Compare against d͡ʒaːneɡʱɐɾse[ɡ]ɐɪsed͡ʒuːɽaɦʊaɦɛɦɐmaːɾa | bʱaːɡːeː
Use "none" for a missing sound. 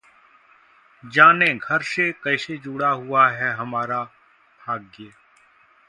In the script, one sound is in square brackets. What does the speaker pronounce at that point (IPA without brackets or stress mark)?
k